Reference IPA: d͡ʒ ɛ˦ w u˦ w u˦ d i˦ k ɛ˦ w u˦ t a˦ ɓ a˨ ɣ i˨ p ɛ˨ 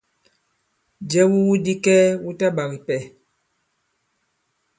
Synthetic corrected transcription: d͡ʒ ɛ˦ w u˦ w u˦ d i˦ k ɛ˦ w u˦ t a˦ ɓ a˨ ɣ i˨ p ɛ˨